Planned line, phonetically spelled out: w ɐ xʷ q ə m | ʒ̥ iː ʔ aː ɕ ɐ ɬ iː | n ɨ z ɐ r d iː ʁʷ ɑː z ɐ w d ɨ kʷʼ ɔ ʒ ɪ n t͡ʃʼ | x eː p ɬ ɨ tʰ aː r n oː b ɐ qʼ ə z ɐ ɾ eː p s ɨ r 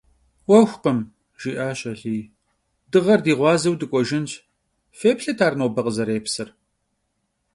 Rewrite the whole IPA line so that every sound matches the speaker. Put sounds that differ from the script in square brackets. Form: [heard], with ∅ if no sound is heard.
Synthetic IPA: w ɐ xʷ q ə m | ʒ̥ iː ʔ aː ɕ ɐ ɬ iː | [d] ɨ [ʁ] ɐ r d iː ʁʷ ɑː z ɐ w d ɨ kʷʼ ɔ ʒ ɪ n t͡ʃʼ | [f] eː p ɬ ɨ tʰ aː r n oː b ɐ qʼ ə z ɐ ɾ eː p s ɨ r